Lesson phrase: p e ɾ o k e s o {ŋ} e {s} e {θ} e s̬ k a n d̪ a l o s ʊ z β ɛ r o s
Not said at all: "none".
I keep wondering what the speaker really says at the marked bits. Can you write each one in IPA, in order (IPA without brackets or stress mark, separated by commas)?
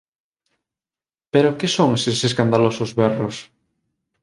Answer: ŋ, s, s